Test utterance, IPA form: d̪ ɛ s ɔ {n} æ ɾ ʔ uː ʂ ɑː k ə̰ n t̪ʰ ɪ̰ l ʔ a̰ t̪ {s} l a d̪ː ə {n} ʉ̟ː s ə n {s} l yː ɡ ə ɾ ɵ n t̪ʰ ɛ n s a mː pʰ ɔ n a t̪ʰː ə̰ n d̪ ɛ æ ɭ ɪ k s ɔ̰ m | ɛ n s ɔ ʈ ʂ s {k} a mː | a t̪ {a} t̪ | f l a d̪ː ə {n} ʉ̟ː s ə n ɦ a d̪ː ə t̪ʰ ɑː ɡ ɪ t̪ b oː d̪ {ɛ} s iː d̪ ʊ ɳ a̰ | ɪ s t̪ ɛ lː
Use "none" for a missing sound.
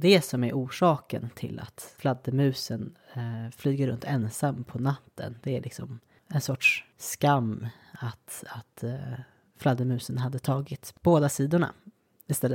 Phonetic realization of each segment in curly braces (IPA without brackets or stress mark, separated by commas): m, f, m, f, k, a, m, a